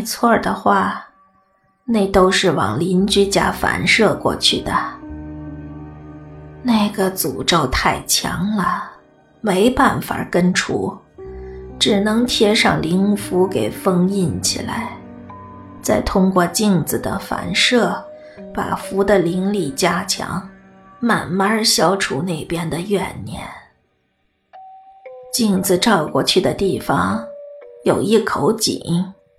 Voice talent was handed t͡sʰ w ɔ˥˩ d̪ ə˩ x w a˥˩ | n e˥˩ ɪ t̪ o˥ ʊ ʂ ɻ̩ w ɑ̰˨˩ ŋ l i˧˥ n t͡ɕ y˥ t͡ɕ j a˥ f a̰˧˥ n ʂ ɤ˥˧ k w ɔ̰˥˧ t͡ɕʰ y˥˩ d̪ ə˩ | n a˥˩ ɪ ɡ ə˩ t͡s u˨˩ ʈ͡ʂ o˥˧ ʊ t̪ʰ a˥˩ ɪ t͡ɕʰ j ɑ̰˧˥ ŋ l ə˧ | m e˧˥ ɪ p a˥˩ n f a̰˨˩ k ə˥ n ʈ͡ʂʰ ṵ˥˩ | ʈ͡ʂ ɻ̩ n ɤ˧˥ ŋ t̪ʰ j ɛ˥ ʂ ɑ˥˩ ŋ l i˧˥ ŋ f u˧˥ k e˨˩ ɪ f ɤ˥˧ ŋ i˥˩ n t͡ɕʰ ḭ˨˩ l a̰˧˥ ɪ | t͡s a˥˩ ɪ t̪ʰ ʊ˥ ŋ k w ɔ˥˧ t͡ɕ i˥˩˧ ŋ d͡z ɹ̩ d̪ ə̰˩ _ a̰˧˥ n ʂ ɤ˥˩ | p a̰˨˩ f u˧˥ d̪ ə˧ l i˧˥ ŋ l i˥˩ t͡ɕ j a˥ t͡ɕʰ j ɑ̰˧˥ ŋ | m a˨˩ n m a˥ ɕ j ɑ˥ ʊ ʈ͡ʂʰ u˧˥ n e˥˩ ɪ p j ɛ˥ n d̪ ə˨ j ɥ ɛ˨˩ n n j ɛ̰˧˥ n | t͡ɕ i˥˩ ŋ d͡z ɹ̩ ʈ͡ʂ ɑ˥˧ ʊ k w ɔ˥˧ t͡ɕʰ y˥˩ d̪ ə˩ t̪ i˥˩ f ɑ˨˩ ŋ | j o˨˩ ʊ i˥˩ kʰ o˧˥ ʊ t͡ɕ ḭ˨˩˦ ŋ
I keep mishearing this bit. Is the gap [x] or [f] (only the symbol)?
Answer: f